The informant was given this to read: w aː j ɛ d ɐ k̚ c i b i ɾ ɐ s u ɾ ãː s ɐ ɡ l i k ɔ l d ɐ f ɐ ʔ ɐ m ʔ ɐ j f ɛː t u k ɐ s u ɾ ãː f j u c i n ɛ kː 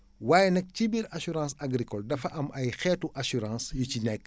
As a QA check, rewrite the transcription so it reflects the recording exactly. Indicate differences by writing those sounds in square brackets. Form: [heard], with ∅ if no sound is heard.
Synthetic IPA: w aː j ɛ [n] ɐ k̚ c i b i ɾ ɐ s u ɾ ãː s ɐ ɡ [ɾ] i k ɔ l d ɐ f ɐ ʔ ɐ m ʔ ɐ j [x] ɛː t u [ʔ] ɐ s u ɾ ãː [s] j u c i n ɛ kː